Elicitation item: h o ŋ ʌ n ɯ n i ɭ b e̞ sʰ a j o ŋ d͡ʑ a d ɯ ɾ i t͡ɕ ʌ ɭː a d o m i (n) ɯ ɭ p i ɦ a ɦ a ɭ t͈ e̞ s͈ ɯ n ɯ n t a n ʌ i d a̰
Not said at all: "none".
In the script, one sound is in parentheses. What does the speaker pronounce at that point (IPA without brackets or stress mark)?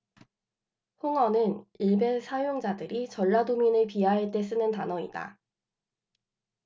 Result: n